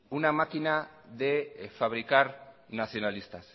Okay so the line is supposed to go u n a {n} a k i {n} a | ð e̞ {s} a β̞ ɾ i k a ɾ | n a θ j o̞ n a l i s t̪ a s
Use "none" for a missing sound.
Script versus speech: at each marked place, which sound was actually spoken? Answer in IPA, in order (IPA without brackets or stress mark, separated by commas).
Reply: m, n, f